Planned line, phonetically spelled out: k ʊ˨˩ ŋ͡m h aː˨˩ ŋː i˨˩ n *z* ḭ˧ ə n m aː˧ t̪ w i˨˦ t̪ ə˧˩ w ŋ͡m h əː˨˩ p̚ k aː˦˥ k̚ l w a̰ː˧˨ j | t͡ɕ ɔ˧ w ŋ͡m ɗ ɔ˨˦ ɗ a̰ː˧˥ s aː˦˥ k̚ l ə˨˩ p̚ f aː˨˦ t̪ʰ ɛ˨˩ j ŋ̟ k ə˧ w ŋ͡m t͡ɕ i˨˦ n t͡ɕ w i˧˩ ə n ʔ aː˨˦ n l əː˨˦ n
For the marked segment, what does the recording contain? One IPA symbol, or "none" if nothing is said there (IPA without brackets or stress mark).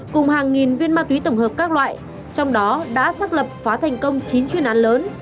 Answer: v